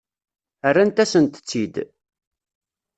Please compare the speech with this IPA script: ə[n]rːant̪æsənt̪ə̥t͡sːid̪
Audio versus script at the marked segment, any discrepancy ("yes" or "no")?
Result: yes